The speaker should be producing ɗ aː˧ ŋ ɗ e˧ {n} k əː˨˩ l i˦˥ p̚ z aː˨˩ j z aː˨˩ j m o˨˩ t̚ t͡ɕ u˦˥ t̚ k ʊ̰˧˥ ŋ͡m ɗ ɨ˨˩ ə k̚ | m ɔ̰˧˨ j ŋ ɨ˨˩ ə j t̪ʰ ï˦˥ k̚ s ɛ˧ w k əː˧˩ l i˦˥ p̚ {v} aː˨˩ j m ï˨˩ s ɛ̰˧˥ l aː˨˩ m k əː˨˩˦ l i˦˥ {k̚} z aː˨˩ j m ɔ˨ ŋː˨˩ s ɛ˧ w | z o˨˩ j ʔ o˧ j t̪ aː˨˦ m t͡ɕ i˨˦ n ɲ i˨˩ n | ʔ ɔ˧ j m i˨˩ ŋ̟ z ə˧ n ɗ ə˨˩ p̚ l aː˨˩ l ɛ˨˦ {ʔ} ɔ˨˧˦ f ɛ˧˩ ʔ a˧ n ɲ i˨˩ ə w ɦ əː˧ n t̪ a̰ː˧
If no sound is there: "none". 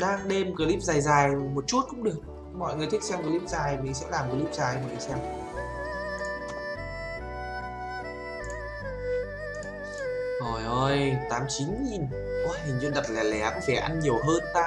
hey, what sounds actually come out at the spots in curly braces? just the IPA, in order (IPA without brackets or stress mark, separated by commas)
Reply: m, z, p̚, k